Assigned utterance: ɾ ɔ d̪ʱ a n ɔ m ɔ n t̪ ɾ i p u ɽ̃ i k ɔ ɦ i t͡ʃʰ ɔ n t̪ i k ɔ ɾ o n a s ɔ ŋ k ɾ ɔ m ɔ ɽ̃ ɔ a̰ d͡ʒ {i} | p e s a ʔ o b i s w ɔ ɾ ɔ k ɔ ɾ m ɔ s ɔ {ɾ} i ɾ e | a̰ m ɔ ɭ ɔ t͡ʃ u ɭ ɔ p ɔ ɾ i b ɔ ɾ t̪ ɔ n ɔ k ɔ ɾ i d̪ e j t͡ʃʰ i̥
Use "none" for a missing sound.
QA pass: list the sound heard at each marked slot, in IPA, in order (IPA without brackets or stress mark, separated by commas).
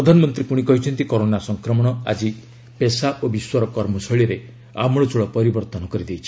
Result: i, ɭ